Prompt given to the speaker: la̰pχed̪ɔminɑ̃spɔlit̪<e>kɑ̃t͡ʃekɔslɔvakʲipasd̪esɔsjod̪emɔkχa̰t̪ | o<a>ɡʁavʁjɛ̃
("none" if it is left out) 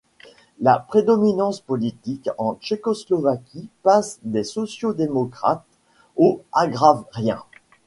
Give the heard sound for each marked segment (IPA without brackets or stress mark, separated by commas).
i, a